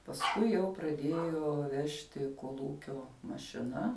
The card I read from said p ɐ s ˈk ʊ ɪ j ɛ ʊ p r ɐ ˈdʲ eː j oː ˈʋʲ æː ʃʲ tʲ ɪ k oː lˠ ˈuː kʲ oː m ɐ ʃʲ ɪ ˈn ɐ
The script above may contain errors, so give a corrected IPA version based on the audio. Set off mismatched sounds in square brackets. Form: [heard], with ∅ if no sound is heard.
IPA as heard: p ɐ s ˈk ʊ ɪ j ɛ ʊ p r ɐ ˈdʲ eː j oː ˈʋʲ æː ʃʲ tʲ ɪ k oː lˠ ˈuː kʲ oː m ɐ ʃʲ ɪ ˈn ɐ